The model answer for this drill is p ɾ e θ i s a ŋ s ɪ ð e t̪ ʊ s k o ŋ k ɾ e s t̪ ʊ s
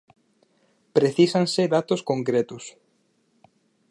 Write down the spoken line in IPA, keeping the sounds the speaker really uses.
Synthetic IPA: p ɾ e θ i s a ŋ s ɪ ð a t̪ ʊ s k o ŋ k ɾ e t̪ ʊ s